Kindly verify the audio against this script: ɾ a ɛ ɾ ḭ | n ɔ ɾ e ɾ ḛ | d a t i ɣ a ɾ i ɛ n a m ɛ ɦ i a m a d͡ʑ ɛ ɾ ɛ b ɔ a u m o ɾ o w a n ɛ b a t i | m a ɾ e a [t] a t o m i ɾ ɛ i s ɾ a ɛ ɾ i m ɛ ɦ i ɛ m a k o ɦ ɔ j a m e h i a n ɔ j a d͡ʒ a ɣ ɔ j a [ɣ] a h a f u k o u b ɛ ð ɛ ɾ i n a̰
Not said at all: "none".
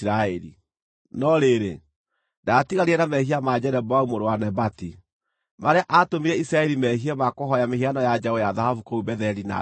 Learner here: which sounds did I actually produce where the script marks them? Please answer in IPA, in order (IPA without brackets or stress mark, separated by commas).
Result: ʔ, ð